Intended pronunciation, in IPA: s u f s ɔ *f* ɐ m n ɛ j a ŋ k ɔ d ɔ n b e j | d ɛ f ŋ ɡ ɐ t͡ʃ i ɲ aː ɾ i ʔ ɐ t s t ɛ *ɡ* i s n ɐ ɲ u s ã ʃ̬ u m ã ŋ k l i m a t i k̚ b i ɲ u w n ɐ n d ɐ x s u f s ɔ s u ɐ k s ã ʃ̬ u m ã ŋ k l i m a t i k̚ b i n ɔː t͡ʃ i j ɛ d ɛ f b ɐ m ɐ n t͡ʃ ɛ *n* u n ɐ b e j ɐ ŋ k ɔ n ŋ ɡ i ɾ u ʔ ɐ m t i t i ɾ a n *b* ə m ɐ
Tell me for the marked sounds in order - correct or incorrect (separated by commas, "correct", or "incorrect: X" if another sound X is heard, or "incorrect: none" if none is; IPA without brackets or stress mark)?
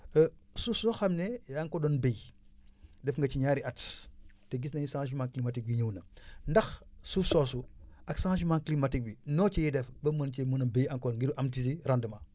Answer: incorrect: x, correct, incorrect: m, incorrect: d